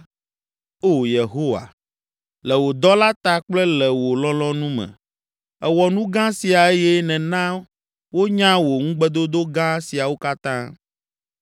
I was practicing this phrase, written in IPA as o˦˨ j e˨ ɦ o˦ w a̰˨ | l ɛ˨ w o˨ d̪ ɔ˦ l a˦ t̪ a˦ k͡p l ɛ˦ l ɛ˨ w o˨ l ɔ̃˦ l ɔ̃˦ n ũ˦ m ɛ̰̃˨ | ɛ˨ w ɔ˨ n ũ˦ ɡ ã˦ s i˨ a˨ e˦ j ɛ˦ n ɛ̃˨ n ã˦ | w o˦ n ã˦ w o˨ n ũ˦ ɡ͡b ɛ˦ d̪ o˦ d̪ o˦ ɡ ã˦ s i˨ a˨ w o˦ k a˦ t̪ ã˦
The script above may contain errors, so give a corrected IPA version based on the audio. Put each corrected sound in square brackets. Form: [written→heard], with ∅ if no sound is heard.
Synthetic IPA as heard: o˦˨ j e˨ ɦ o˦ w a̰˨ | l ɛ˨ w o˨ d̪ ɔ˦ l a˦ t̪ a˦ k͡p l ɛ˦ l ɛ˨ w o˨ l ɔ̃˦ l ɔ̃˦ n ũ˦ m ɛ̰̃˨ | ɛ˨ w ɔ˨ n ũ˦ ɡ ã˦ s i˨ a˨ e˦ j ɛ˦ n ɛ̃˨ n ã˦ | w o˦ [n→ɲ] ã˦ w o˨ [n→ŋ] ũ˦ ɡ͡b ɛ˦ d̪ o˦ d̪ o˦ ɡ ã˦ s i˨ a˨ w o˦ k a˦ t̪ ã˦

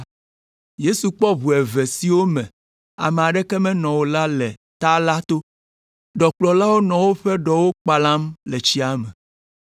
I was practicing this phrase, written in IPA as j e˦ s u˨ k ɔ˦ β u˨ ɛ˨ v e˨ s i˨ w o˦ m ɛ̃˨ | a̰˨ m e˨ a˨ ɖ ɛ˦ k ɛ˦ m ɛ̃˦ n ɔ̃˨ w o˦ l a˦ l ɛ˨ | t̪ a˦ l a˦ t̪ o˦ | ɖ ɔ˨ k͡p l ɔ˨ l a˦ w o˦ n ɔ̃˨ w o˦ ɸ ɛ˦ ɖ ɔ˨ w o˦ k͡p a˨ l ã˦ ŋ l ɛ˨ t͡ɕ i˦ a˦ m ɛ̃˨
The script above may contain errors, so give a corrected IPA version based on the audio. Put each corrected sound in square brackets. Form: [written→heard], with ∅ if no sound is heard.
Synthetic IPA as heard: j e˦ s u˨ [k→k͡p] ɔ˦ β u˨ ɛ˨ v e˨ s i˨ w o˦ m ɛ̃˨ | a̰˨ m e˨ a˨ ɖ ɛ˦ k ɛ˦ m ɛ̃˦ n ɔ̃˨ w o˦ l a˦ l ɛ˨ | t̪ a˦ l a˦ t̪ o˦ | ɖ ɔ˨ k͡p l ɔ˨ l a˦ w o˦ n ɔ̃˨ w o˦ ɸ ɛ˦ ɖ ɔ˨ w o˦ k͡p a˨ l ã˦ [ŋ→m] l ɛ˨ t͡ɕ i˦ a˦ m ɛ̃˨

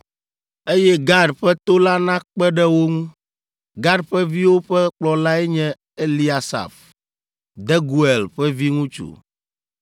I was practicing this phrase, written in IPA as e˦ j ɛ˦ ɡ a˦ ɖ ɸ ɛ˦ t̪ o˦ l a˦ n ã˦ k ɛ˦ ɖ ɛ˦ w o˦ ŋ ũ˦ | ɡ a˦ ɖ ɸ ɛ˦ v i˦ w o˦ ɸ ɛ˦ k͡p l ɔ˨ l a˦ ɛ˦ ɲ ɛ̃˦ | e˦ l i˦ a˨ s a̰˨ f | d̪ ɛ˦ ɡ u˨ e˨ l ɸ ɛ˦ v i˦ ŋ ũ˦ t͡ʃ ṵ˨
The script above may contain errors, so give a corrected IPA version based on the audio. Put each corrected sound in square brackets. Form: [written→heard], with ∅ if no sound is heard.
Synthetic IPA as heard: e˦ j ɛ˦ ɡ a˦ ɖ ɸ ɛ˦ t̪ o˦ l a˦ n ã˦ [k→k͡p] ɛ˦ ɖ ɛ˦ w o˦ ŋ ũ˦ | ɡ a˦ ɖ ɸ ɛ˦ v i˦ w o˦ ɸ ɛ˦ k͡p l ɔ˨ l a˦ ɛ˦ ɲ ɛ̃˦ | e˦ l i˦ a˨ s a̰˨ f | d̪ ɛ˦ ɡ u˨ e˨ l ɸ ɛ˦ v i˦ ŋ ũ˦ t͡ʃ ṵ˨

